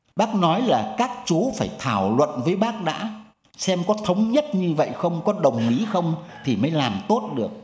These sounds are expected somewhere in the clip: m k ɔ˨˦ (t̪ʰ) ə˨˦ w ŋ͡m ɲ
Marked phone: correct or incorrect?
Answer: correct